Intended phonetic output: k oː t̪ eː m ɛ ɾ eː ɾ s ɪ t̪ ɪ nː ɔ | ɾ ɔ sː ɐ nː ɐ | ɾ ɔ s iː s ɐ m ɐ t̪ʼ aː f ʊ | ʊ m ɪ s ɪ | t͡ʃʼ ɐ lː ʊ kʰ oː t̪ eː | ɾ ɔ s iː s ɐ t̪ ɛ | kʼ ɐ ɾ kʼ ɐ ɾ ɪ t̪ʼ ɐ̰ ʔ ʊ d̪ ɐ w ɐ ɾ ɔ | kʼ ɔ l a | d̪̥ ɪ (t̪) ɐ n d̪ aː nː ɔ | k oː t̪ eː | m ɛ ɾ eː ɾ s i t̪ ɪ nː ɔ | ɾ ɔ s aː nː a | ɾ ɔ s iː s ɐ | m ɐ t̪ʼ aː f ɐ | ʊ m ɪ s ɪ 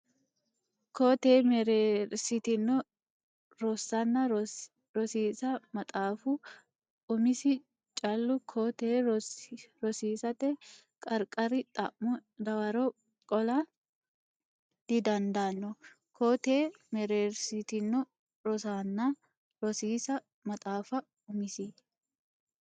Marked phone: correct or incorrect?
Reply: incorrect